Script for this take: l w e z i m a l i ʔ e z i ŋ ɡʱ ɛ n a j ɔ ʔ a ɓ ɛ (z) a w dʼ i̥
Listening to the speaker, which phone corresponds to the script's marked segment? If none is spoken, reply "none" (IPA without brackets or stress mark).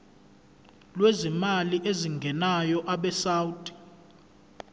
s